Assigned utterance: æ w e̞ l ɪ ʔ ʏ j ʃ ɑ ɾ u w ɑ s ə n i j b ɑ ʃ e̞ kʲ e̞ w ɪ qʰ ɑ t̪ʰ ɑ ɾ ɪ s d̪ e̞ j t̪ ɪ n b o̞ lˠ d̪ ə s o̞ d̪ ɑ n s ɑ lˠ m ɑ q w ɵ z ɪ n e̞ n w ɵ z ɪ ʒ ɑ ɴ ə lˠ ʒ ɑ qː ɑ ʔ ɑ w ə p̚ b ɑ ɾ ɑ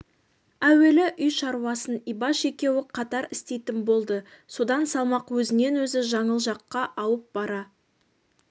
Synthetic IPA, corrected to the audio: æ w e̞ l ɪ ʔ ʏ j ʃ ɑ ɾ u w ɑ s ə n i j b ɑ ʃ e̞ kʲ e̞ w ɪ qʰ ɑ t̪ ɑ ɾ ɪ s t̪ e̞ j t̪ ɪ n b o̞ lˠ d̪ ə s o̞ d̪ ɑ n s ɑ lˠ m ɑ q w ɵ z ɪ n e̞ n w ɵ z ɪ ʒ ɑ ɴ ə lˠ ʒ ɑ qː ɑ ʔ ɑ w ə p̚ b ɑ ɾ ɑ